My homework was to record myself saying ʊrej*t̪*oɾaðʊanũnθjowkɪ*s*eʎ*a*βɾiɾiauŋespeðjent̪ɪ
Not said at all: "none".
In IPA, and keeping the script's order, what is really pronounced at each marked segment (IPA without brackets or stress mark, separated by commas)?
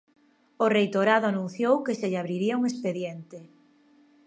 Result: t̪, s, a